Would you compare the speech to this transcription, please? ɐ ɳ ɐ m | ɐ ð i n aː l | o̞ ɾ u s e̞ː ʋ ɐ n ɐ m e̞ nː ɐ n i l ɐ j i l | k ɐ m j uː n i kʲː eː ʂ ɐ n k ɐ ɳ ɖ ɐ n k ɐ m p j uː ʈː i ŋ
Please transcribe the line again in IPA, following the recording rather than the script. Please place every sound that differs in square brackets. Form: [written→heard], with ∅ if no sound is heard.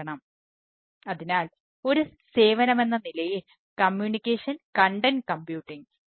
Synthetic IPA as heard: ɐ ɳ ɐ m | ɐ ð i n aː l | o̞ ɾ u s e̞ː ʋ ɐ n ɐ m e̞ nː ɐ n i l ɐ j i l | k ɐ m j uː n i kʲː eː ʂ ɐ n k ɐ ɳ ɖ ɐ n k ɐ m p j uː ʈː i ŋ